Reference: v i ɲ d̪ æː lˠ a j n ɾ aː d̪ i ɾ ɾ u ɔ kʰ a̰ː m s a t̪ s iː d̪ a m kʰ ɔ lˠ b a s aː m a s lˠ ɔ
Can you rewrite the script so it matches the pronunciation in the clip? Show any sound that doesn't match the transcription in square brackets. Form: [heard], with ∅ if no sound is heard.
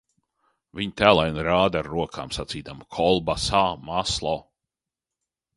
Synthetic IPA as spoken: v i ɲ [t̪] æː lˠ a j n ɾ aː d̪ [a] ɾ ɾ u ɔ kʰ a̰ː m s a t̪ s iː d̪ a m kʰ ɔ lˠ b a s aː m a s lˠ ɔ